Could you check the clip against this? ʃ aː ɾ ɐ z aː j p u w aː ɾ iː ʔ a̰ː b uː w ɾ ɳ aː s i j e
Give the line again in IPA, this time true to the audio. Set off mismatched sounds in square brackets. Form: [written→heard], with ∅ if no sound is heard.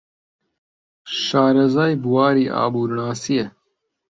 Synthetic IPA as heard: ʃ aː ɾ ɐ z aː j [p→b] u w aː ɾ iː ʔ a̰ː b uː [w→∅] ɾ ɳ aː s i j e